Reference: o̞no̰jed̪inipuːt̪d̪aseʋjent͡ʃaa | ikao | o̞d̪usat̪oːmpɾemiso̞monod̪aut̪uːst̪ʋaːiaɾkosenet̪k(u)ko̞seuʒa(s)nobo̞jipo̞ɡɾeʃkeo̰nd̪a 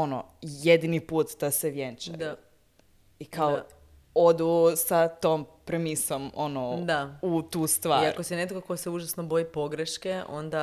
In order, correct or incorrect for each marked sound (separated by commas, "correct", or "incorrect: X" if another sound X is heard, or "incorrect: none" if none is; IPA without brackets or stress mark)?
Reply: incorrect: o, correct